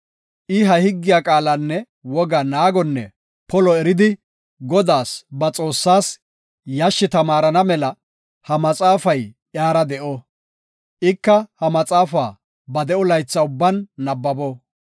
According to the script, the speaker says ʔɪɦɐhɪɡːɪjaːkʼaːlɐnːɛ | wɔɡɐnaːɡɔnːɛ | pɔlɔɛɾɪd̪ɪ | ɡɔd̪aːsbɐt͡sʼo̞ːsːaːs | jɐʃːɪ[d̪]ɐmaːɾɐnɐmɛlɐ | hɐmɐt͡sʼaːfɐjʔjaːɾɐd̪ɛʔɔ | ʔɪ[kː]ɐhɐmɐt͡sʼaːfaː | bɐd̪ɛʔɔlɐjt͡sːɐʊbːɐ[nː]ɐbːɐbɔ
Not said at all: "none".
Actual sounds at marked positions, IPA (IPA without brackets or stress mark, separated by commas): t̪, kː, nː